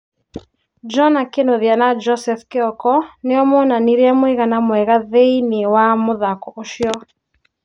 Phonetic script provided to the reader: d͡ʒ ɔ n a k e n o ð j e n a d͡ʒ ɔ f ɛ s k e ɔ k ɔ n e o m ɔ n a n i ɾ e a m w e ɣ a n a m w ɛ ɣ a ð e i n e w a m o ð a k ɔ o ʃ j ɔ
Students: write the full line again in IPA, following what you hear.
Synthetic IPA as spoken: d͡ʒ ɔ n a k e n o ð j a n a d͡ʒ ɔ s ɛ f k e ɔ k ɔ n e ɔ m ɔ n a n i ɾ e a m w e ɣ a n a m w ɛ ɣ a ð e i n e w a m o ð a k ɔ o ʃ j ɔ